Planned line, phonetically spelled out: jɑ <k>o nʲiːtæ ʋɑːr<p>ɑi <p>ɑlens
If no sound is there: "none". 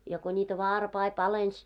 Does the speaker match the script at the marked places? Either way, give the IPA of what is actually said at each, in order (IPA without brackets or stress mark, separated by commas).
k, p, p